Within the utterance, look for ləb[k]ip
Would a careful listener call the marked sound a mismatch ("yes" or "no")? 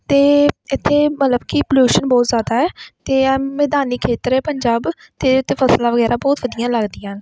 no